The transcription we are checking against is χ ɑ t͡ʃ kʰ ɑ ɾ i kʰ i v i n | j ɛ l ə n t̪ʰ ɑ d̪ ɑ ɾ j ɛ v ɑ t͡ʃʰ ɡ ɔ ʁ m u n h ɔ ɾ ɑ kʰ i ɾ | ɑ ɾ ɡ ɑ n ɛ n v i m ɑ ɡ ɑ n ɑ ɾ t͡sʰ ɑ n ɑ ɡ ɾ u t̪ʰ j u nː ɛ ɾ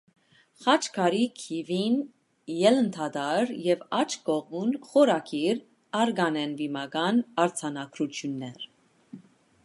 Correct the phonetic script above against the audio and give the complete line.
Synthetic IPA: χ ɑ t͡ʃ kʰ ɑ ɾ i kʰ i v i n | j ɛ l ə n t̪ʰ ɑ d̪ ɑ ɾ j ɛ v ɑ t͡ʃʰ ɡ ɔ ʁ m u n χ ɔ ɾ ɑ kʰ i ɾ | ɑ ɾ ɡ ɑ n ɛ n v i m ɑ ɡ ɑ n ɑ ɾ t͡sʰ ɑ n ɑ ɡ ɾ u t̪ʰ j u nː ɛ ɾ